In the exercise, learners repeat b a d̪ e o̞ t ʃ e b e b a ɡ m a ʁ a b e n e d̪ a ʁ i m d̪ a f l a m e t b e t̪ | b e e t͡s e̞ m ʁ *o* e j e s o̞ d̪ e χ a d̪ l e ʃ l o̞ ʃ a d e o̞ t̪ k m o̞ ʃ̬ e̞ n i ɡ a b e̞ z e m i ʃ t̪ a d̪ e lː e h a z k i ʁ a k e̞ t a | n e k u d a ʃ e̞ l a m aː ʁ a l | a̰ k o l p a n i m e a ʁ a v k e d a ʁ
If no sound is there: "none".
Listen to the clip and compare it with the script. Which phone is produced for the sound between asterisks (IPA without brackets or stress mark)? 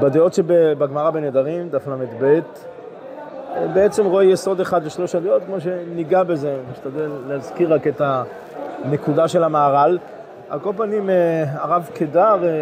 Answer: o